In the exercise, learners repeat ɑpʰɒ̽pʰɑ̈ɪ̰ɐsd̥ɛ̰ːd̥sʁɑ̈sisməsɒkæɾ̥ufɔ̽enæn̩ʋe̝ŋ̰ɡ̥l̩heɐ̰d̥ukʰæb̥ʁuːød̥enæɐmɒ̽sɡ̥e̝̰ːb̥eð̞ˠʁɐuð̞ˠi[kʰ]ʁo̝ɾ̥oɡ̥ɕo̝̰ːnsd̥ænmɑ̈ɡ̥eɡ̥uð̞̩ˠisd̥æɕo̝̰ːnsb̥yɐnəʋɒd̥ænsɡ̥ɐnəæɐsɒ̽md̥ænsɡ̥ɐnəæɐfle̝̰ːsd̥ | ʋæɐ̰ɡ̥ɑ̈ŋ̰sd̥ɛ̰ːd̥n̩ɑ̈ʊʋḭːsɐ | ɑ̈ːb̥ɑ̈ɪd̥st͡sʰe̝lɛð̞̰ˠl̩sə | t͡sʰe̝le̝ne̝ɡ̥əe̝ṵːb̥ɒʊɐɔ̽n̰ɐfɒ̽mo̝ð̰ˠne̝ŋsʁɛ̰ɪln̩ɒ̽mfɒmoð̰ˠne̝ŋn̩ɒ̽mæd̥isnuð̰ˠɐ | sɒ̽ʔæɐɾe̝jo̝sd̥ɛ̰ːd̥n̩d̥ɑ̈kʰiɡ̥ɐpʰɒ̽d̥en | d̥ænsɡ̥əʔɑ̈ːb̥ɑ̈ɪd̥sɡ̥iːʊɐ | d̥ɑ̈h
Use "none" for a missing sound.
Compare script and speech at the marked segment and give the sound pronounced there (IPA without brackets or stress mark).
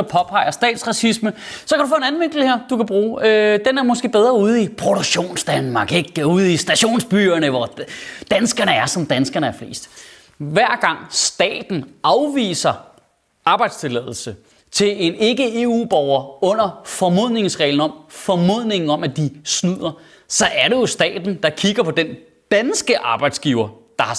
pʰ